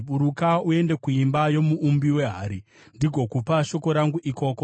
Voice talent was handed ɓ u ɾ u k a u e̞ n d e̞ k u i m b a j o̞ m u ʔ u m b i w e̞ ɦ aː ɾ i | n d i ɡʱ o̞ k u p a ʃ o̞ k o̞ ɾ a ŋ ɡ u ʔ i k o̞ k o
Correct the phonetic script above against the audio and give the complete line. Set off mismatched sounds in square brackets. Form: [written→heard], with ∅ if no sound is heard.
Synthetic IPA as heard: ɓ u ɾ u k a u e̞ n d e̞ k u i m b a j o̞ m u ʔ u m b i w e̞ ɦ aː ɾ i | n d i ɡʱ o̞ k u p a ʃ o̞ k o̞ ɾ a ŋ ɡ u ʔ i k o̞ k o